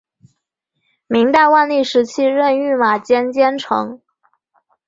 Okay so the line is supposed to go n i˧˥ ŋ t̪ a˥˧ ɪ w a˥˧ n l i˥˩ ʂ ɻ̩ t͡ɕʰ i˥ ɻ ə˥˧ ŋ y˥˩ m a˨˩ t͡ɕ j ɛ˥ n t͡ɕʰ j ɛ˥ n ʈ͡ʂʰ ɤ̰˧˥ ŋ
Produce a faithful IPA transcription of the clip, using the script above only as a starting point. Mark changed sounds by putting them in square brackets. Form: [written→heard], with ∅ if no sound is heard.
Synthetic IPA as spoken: [n→m] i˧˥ ŋ t̪ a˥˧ ɪ w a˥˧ n l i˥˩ ʂ ɻ̩ t͡ɕʰ i˥ ɻ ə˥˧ [ŋ→n] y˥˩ m a˨˩ t͡ɕ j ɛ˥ n [t͡ɕʰ→t͡ɕ] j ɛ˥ n ʈ͡ʂʰ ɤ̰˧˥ ŋ